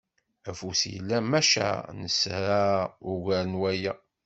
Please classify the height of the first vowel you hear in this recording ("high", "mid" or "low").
low